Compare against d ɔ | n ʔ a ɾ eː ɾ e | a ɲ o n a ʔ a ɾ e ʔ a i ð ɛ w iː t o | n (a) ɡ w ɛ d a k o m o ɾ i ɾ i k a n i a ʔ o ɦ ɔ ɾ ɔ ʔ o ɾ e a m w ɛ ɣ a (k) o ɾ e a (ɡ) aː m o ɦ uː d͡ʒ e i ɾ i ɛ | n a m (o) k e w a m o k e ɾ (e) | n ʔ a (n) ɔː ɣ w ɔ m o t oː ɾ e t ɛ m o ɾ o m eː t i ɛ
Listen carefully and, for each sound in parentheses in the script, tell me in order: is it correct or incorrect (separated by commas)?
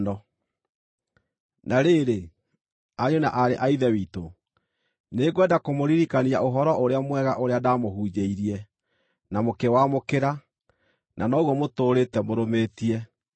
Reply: incorrect, incorrect, incorrect, correct, incorrect, correct